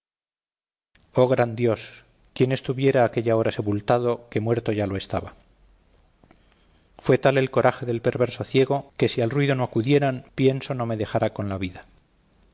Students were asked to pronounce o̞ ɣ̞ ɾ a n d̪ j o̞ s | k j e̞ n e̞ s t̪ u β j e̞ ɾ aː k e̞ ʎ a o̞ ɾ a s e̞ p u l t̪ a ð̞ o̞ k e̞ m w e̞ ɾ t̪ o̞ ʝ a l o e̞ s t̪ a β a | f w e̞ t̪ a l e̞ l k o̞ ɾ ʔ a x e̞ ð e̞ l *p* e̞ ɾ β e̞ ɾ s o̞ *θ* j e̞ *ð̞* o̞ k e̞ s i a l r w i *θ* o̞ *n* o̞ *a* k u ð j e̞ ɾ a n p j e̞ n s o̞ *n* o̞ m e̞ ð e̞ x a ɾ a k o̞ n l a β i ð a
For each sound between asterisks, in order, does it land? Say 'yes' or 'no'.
yes, yes, no, no, yes, yes, yes

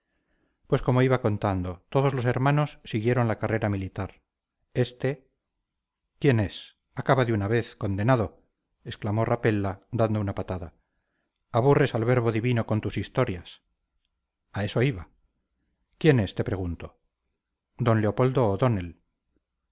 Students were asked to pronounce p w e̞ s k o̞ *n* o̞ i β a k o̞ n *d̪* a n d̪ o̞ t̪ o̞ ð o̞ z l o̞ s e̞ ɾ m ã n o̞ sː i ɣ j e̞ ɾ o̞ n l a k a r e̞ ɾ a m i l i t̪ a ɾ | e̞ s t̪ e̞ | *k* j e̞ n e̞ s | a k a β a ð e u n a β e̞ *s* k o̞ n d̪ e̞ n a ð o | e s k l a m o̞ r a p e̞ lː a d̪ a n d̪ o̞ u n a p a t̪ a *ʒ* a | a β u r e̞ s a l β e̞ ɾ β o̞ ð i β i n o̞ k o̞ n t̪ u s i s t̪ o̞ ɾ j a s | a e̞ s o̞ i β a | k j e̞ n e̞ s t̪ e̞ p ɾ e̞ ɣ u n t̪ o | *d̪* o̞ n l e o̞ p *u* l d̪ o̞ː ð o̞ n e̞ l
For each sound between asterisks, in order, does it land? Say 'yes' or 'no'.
no, no, yes, no, no, yes, no

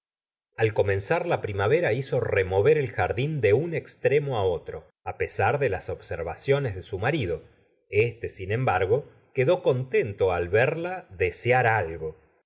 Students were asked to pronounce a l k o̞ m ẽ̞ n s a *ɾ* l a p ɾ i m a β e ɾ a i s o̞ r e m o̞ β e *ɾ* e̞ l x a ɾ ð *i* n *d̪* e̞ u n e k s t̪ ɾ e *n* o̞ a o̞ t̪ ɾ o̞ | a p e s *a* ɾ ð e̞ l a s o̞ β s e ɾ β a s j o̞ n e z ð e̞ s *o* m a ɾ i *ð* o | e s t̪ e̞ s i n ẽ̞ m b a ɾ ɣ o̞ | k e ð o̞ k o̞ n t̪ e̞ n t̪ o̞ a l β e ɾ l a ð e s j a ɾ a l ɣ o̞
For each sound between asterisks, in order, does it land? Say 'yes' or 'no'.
yes, yes, yes, yes, no, yes, no, yes

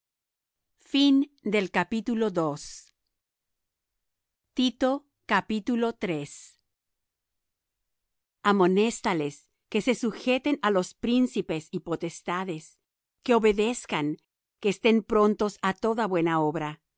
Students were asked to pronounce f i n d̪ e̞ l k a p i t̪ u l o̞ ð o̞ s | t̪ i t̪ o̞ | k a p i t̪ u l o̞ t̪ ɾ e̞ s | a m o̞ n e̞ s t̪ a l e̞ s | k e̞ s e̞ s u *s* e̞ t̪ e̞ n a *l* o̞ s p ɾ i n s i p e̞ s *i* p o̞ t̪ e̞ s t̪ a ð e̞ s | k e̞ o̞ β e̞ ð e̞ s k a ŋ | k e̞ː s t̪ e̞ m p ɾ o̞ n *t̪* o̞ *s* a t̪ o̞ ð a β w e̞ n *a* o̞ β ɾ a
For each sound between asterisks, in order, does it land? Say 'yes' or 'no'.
no, yes, yes, yes, yes, yes

